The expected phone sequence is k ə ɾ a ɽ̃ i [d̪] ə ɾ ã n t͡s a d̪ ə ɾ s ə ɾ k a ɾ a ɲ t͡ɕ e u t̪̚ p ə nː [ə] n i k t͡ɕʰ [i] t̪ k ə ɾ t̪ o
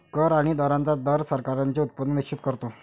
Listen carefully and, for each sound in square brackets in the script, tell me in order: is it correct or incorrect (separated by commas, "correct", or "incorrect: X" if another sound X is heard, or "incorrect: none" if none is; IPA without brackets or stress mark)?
correct, correct, correct